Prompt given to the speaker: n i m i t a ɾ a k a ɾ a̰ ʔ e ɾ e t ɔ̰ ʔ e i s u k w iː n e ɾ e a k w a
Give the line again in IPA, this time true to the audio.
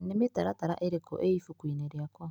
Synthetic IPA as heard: n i m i t a ɾ a t a ɾ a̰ ʔ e ɾ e k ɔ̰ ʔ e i f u k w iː n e ɾ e a k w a